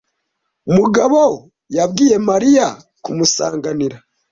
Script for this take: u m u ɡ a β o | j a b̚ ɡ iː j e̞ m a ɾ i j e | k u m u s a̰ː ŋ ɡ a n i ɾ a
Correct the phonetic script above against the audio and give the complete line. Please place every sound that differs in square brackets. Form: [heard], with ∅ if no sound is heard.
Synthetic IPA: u m u ɡ a β o | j a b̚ ɡ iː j e̞ m a ɾ i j [a] | k u m u s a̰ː ŋ ɡ a n i ɾ a